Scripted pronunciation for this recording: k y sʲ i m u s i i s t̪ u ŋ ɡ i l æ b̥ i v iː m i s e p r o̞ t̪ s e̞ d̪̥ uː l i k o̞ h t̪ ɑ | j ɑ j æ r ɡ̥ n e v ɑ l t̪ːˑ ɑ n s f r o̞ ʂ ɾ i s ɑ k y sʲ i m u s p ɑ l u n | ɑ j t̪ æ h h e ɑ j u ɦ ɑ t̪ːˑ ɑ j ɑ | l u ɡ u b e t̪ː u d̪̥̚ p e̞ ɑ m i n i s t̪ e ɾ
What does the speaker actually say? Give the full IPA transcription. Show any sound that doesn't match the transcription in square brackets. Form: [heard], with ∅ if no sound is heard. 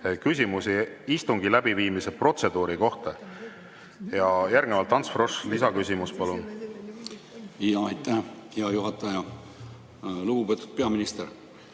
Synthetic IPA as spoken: k y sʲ i m u s i i s t̪ u ŋ ɡ i l æ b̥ i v iː m i s e p r o̞ t̪ s e̞ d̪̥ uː [ɾ] i k o̞ h t̪ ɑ | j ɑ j æ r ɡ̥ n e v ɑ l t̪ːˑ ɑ n s f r o̞ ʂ [l] i s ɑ k y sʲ i m u s p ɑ l u n | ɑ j t̪ æ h h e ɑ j u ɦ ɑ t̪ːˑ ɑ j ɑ | l u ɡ u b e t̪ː u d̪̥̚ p e̞ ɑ m i n i s t̪ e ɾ